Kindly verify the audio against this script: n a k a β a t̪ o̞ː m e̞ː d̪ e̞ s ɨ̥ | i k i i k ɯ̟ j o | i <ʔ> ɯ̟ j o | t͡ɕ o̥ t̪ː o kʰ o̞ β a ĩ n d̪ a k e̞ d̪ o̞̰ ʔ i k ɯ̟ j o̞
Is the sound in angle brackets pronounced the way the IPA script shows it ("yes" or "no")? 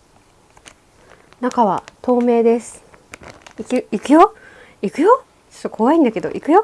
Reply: no